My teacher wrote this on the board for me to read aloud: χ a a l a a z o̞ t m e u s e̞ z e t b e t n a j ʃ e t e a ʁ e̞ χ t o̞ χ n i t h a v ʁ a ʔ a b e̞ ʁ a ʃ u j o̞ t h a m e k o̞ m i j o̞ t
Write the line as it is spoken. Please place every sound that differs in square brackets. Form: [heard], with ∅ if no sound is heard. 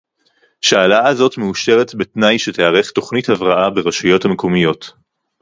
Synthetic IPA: [ʃ] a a l a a z o̞ t m e u [ʃ] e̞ [ʁ] e t b e t n a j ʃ e t e a ʁ e̞ χ t o̞ χ n i t h a v ʁ a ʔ a b e̞ ʁ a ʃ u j o̞ t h a m e k o̞ m i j o̞ t